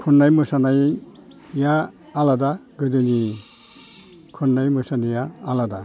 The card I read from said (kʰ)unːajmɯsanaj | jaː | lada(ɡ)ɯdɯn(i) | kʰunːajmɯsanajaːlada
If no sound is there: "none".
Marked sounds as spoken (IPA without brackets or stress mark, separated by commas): kʰ, ɡ, i